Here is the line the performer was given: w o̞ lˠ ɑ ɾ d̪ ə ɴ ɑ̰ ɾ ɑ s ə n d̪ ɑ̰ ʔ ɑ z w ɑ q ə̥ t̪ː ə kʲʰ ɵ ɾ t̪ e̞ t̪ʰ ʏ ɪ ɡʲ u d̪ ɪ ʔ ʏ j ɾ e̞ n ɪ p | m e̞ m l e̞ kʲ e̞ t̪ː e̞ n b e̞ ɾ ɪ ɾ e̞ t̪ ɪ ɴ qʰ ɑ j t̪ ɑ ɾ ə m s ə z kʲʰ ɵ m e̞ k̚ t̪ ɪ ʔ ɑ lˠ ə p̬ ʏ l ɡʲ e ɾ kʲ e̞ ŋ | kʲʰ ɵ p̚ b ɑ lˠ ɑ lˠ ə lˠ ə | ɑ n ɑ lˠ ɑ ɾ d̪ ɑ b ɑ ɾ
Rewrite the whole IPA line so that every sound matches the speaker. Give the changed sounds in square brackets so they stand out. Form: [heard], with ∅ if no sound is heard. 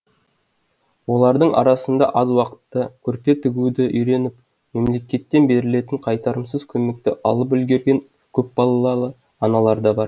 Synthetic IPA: w o̞ lˠ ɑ ɾ d̪ ə ɴ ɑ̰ ɾ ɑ s ə n d̪ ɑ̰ ʔ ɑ z w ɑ q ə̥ t̪ː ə kʲʰ ɵ ɾ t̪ e̞ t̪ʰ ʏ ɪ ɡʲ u d̪ ɪ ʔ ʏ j ɾ e̞ n ɪ p | m e̞ m l e̞ kʲ e̞ t̪ː e̞ n b e̞ ɾ ɪ [l] e̞ t̪ ɪ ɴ qʰ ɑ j t̪ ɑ ɾ ə m s ə z kʲʰ ɵ m e̞ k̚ t̪ ɪ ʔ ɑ lˠ ə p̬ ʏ l ɡʲ e ɾ [ɡʲ] e̞ ŋ | kʲʰ ɵ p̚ b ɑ lˠ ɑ lˠ [ɑ] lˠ ə | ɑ n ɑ lˠ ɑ ɾ d̪ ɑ b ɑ ɾ